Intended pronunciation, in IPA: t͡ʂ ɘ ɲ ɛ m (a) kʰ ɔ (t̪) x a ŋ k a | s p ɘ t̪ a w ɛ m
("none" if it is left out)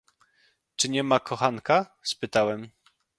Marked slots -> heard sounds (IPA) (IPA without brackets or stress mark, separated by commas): a, none